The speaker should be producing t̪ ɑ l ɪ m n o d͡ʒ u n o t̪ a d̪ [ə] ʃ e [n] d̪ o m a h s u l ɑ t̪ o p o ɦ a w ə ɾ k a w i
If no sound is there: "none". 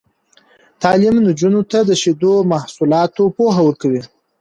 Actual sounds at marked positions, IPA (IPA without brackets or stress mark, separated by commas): ə, none